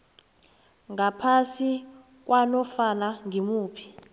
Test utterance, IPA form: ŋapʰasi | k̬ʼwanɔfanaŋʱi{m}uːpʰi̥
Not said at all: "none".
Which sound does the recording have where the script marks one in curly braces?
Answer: m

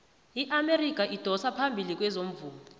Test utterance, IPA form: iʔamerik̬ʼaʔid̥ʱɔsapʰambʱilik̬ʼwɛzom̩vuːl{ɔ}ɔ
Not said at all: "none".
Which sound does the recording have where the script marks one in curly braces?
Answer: ɔ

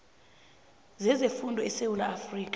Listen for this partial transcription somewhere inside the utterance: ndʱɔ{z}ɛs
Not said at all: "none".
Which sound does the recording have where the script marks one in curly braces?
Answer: none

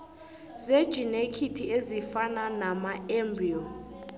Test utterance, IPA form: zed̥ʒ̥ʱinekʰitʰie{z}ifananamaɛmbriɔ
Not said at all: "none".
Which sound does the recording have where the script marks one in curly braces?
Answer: z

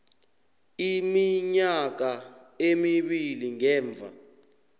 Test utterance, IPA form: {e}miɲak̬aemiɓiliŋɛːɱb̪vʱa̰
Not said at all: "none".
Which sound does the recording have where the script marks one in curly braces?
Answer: i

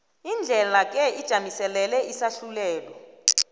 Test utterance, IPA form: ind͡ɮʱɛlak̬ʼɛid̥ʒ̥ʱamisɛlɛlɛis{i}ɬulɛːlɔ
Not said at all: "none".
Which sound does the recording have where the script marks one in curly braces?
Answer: a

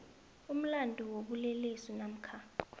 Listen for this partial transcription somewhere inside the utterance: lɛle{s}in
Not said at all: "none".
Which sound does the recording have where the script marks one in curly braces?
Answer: s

